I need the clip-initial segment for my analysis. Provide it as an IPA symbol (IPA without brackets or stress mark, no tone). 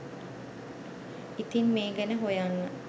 i